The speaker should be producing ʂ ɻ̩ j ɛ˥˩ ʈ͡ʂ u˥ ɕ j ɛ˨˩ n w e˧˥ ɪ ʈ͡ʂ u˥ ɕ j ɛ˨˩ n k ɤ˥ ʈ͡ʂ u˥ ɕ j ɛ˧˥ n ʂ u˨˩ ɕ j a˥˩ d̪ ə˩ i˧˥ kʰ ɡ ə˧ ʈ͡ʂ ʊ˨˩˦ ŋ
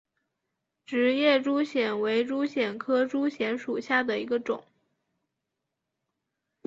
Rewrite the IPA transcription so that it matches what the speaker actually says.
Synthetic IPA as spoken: ʈ͡ʂ ɻ̩ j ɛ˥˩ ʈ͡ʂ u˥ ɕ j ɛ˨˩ n w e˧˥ ɪ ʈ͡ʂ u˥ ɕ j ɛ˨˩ n kʰ ɤ˥ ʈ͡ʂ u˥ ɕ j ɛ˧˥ n ʂ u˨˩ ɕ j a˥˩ d̪ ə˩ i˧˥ ɡ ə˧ ʈ͡ʂ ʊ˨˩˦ ŋ

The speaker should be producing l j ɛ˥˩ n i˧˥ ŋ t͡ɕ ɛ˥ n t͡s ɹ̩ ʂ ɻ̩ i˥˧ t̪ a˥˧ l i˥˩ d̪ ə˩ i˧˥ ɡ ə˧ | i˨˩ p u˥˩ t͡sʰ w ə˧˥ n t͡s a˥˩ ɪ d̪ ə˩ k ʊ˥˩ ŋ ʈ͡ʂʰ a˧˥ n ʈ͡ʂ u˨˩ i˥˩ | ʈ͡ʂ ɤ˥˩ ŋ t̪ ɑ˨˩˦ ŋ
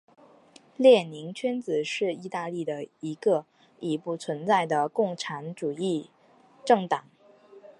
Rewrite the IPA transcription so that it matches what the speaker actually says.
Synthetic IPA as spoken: l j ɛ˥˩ n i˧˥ ŋ t͡ɕʰ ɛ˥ n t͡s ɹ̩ ʂ ɻ̩ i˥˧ t̪ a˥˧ l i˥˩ d̪ ə˩ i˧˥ ɡ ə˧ | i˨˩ p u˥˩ t͡sʰ w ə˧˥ n t͡s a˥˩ ɪ d̪ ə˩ k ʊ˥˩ ŋ ʈ͡ʂʰ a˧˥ n ʈ͡ʂ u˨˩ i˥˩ | ʈ͡ʂ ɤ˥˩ ŋ t̪ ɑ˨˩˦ ŋ

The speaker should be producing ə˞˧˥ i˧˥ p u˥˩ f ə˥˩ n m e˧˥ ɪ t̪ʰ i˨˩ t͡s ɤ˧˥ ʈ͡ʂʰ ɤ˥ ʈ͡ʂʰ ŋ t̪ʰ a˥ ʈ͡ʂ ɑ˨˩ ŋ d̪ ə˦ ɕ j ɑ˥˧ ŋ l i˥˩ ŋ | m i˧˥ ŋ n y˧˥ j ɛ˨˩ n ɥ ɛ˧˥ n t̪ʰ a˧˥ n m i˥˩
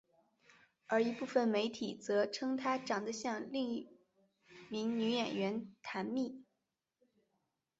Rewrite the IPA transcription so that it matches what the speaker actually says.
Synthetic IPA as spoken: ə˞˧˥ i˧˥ p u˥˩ f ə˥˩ n m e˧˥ ɪ t̪ʰ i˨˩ t͡s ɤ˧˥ ʈ͡ʂʰ ɤ˥ ŋ t̪ʰ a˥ ʈ͡ʂ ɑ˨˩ ŋ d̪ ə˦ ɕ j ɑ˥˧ ŋ l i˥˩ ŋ | m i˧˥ ŋ n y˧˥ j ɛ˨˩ n ɥ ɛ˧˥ n t̪ʰ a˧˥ n m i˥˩

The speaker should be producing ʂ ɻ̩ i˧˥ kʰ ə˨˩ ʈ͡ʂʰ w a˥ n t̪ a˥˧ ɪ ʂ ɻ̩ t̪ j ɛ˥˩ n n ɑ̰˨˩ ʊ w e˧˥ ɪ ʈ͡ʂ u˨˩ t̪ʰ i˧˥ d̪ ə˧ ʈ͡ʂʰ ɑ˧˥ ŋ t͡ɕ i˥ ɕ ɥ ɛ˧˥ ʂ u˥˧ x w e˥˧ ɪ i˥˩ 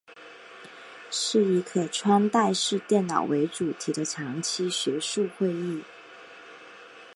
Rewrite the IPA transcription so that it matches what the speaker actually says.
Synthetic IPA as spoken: ʂ ɻ̩ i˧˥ kʰ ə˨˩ ʈ͡ʂʰ w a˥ n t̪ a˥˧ ɪ ʂ ɻ̩ t̪ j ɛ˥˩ n n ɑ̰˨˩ ʊ w e˧˥ ɪ ʈ͡ʂ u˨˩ t̪ʰ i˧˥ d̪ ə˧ ʈ͡ʂʰ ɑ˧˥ ŋ t͡ɕʰ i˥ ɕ ɥ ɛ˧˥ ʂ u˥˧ x w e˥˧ ɪ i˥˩

